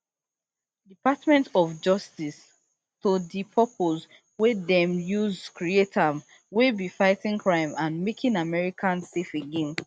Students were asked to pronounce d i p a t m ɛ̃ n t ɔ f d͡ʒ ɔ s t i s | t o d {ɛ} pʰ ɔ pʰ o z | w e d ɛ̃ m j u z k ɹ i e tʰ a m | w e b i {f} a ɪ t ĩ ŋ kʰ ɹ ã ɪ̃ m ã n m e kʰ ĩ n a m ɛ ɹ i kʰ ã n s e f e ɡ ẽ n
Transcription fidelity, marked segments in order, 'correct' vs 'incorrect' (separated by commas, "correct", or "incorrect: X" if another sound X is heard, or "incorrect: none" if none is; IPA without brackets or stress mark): incorrect: i, correct